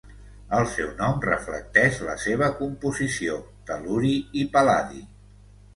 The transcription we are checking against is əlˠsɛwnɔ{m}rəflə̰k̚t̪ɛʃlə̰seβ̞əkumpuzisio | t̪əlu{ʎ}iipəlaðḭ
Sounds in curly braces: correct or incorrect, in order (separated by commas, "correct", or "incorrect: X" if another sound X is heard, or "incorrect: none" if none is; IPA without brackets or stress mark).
correct, incorrect: ɾ